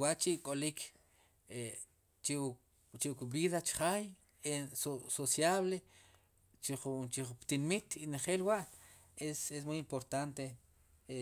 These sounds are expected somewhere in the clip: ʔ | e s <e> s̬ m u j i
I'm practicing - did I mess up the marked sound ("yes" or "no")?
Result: no